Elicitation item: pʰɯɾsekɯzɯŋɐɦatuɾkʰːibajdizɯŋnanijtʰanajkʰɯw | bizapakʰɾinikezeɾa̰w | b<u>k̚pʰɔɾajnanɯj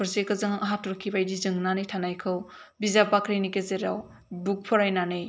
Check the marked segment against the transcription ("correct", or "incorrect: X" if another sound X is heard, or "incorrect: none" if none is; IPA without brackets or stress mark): correct